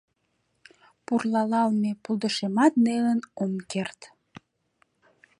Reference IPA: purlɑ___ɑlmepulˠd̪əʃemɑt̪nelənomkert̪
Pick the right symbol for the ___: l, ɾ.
l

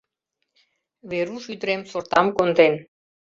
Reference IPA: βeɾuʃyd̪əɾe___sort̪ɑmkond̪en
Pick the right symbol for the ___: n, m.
m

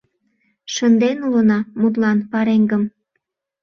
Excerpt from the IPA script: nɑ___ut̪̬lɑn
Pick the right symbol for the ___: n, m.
m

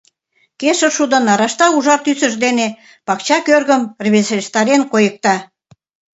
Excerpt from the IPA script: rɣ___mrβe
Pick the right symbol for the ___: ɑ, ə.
ə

